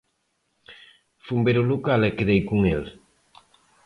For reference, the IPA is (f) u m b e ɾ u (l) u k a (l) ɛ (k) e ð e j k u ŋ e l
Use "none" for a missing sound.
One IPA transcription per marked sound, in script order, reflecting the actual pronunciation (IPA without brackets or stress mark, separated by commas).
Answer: f, l, l, k